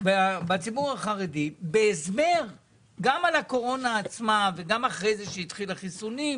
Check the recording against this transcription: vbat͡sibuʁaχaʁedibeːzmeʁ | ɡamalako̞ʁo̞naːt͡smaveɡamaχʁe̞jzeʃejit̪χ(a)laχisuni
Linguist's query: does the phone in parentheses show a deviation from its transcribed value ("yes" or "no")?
yes